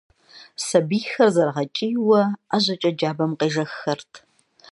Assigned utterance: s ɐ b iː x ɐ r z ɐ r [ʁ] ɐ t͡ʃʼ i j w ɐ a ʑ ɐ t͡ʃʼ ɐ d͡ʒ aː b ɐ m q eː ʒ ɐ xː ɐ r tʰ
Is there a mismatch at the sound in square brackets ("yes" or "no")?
no